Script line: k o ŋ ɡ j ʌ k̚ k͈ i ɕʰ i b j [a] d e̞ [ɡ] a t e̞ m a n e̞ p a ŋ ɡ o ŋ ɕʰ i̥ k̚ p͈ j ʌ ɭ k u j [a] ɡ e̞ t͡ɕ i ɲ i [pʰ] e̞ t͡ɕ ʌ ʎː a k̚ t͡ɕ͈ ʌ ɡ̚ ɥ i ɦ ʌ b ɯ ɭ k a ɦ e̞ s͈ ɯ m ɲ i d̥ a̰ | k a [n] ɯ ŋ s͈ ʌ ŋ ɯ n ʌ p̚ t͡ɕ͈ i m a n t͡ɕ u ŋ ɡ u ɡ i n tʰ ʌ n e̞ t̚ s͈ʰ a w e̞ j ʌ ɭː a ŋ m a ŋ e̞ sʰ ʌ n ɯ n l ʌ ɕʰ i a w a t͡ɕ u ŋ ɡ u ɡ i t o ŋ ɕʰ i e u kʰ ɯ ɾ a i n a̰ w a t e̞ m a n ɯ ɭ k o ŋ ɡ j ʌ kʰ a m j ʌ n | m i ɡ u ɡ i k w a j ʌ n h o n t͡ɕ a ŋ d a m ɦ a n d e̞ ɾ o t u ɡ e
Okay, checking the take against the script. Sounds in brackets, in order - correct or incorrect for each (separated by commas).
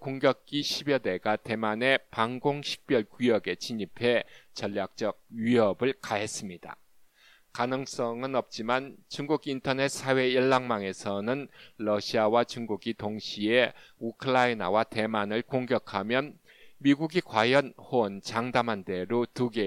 incorrect, correct, incorrect, correct, correct